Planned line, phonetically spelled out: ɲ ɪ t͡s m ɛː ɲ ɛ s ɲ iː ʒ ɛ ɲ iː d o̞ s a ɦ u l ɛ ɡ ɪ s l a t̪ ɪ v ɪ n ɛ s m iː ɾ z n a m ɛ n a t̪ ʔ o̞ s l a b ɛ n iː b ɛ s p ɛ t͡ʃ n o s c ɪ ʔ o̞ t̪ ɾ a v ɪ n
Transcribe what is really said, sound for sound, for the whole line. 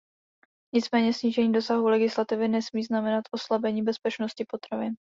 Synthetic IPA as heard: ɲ ɪ t͡s m ɛː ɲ ɛ s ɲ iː ʒ ɛ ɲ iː d o̞ s a ɦ u l ɛ ɡ ɪ s l a t̪ ɪ v ɪ n ɛ s m iː z n a m ɛ n a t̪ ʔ o̞ s l a b ɛ ɲ iː b ɛ s p ɛ t͡ʃ n o s c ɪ p o̞ t̪ ɾ a v ɪ n